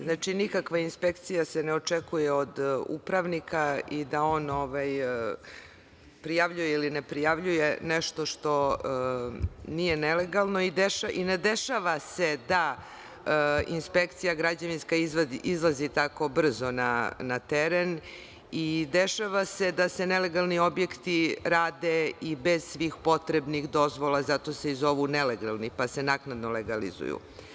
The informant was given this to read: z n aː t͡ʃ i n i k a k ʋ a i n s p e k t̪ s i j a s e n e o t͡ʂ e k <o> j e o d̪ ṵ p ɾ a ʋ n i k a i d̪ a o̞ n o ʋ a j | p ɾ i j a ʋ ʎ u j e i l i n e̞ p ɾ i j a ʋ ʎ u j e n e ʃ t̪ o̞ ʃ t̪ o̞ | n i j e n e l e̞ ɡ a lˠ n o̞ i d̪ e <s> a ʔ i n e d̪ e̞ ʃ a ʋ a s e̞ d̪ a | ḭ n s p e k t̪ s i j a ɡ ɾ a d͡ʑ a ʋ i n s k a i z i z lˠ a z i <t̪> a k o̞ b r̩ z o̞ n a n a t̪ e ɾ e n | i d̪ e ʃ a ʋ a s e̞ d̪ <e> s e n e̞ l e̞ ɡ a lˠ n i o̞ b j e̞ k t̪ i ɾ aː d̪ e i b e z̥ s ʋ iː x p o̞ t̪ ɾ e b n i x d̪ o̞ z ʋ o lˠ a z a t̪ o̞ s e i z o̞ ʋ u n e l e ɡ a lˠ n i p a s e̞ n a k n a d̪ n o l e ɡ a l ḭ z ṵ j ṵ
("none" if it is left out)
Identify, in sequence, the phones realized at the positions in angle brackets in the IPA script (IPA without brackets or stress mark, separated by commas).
u, ʃ, t̪, a